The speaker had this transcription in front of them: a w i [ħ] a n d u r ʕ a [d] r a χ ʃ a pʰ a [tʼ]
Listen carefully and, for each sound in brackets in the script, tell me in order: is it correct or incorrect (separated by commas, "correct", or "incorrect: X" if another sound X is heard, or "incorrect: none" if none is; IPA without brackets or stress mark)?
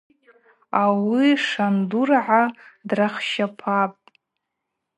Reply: incorrect: ʂ, correct, incorrect: pʼ